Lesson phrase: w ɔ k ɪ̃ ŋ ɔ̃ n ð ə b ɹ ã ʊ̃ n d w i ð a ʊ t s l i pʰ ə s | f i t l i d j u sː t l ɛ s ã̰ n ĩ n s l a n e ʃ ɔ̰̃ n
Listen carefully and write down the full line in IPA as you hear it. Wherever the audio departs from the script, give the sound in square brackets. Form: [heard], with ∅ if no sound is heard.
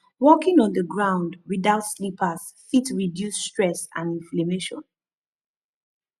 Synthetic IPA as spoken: w ɔ k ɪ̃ ŋ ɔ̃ n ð ə [ɡ] ɹ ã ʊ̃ n d w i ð a ʊ t s l i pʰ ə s | f i t [ɹ] i d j u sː t [ɹ] ɛ s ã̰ n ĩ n [f] l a [m] e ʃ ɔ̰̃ n